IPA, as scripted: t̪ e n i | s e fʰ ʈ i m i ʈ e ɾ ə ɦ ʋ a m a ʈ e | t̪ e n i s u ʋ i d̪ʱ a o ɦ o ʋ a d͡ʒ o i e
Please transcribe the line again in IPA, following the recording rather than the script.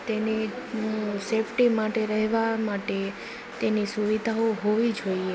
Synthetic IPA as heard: t̪ e n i | s e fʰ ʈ i m a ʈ e ɾ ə ɦ ʋ a m a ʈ e | t̪ e n i s u ʋ i d̪ʱ a o ɦ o ʋ i d͡ʒ o i e

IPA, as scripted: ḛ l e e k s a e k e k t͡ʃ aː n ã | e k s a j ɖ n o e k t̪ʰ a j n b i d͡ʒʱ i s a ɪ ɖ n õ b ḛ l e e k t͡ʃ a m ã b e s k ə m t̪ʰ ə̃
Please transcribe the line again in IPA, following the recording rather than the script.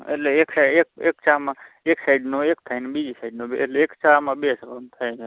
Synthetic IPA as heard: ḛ l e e k s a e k e k t͡ʃ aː m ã | e k s a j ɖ n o e k t̪ʰ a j n b i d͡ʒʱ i s a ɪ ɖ n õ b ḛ l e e k t͡ʃ a m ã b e s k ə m t̪ʰ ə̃

